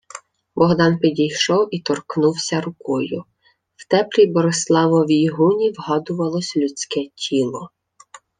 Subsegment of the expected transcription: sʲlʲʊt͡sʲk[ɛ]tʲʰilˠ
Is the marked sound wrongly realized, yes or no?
no